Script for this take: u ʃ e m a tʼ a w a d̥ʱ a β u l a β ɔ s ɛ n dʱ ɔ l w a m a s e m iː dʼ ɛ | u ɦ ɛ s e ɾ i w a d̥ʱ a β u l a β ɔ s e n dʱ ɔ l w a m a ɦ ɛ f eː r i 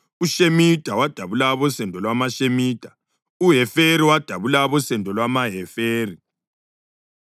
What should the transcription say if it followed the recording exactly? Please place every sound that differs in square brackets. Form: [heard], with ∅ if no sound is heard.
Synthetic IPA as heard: u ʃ e m [i] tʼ a w a d̥ʱ a β u l a β ɔ s ɛ n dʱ ɔ l w a m a [ʃ] e m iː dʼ [a] | u ɦ ɛ [f] e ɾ i w a d̥ʱ a β u l a β ɔ s [ɛ] n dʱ ɔ l w a m a ɦ ɛ f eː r i